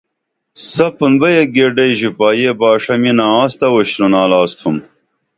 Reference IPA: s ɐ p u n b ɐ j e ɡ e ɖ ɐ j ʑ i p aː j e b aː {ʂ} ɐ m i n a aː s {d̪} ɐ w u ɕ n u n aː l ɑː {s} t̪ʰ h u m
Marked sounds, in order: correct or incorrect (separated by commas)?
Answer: correct, incorrect, correct